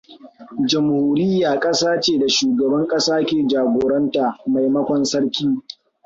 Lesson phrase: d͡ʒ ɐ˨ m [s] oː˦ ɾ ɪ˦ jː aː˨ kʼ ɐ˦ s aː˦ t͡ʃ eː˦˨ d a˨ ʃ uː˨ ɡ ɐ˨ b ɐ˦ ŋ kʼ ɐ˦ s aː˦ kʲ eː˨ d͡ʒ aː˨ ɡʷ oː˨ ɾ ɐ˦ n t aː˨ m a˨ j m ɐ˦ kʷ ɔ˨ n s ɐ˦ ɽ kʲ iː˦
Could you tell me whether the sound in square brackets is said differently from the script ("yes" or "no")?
yes